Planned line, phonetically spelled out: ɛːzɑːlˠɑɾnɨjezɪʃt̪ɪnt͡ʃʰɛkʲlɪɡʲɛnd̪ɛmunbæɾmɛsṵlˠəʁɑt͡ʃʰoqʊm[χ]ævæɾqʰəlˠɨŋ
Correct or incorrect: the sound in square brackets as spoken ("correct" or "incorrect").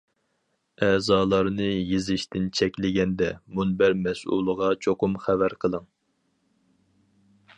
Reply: correct